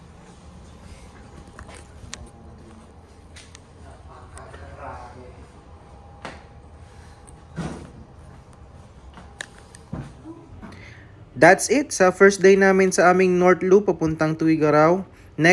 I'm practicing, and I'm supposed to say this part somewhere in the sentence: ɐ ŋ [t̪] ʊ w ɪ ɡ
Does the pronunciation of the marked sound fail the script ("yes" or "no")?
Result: no